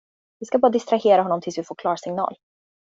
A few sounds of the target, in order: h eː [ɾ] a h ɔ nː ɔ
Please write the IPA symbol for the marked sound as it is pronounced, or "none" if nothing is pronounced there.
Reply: ɾ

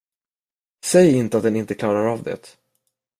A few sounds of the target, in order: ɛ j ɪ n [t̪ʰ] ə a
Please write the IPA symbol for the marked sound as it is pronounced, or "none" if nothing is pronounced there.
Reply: t̪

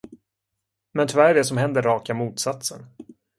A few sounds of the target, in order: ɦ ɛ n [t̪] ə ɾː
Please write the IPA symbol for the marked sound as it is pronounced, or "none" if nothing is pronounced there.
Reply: d̪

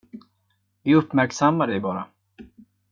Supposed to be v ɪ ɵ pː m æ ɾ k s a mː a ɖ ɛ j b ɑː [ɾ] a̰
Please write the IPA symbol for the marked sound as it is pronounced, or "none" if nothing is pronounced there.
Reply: ɾ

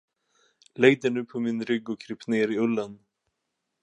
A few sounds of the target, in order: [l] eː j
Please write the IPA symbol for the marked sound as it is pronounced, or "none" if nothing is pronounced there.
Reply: l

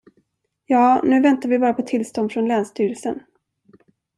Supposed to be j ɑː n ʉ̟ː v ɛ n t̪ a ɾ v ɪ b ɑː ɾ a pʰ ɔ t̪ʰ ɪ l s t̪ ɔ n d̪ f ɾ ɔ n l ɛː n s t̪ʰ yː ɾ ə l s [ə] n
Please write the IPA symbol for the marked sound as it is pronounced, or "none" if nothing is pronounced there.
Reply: ə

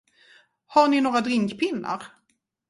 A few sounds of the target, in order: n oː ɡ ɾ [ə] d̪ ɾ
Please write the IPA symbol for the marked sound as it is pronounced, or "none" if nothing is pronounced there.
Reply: a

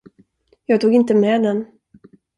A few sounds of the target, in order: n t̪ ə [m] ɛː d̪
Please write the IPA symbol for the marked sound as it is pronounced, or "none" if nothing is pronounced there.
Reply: m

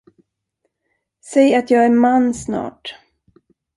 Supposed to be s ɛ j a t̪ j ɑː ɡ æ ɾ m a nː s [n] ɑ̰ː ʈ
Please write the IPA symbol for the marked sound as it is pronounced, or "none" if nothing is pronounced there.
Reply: n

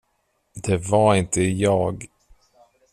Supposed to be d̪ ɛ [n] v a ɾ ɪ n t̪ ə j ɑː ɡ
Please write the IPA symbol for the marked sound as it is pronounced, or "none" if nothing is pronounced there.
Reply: none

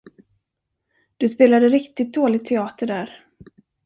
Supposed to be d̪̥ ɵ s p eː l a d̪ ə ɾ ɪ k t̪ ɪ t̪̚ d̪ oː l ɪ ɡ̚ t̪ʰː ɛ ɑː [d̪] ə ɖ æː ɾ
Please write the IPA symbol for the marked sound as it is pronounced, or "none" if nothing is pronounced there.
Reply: t̪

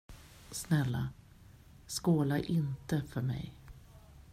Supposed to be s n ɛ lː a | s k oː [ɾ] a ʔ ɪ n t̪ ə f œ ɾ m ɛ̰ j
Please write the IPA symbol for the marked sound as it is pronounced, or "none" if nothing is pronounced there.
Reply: l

